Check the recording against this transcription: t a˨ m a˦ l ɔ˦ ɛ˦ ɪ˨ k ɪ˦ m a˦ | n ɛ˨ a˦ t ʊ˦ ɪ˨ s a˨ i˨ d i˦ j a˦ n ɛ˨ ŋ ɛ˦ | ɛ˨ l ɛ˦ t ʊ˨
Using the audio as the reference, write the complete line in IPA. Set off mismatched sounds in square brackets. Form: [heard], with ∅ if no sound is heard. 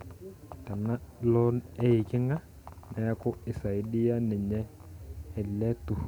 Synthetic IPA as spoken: t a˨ [n] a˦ l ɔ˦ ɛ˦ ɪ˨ k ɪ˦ [ŋ] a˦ | n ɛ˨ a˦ [k] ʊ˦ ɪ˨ s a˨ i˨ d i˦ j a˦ n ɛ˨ [ɲ] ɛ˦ | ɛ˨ l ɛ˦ t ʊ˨